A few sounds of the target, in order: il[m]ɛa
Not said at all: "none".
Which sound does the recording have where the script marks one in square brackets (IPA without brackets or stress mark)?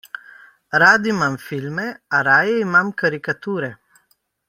m